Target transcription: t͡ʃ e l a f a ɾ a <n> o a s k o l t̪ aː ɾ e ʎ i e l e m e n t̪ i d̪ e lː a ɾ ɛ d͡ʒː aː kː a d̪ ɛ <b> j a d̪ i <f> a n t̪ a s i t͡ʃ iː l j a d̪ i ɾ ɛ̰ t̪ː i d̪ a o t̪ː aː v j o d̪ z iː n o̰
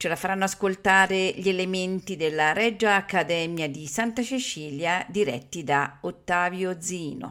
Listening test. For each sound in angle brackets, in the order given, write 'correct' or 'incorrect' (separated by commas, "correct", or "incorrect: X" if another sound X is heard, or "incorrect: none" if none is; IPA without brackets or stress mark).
incorrect: nː, incorrect: m, incorrect: s